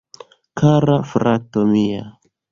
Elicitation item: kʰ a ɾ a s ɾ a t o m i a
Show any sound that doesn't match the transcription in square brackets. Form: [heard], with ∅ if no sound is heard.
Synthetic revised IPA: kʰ a ɾ a [f] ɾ a t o m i a